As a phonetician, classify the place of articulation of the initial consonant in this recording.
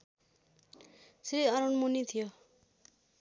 alveolar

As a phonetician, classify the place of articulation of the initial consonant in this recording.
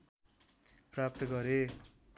labial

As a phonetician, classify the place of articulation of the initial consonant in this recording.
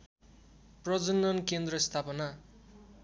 labial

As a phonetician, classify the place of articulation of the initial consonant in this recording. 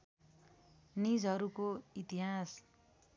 alveolar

